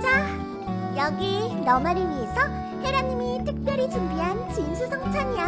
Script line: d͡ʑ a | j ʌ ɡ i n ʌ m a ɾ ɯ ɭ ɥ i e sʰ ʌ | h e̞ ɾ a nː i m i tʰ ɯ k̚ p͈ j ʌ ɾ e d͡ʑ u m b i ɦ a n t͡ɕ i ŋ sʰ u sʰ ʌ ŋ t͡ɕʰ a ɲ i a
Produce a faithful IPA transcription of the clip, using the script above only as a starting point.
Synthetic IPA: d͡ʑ a | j ʌ ɡ i n ʌ m a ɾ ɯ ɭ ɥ i e sʰ ʌ | h e̞ ɾ a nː i m i tʰ ɯ k̚ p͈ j ʌ ɾ i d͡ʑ u m b i ɦ a n t͡ɕ i n sʰ u sʰ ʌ ŋ t͡ɕʰ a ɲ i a